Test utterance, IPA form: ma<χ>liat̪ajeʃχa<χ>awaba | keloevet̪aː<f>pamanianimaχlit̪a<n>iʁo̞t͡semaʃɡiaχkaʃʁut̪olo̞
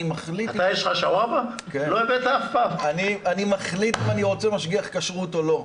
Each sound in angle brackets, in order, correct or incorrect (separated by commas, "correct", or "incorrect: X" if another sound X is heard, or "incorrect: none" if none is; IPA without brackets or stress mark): correct, incorrect: ʃ, correct, correct